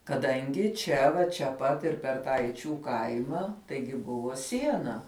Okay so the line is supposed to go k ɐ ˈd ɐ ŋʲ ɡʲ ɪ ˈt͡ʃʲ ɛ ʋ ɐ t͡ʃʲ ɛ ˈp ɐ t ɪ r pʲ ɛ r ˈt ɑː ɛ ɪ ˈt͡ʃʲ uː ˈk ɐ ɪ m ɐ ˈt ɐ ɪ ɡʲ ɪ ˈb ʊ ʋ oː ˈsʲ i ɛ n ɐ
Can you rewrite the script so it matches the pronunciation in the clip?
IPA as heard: k ɐ ˈd ɐ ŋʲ ɡʲ ɪ ˈt͡ʃʲ ɛ ʋ ɐ t͡ʃʲ ɛ ˈp ɐ t ɪ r pʲ ɛ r ˈt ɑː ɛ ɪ ˈt͡ʃʲ uː ˈk ɐ ɪ m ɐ ˈt ɐ ɪ ɡʲ ɪ ˈb ʊ ʋ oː ˈsʲ i ɛ n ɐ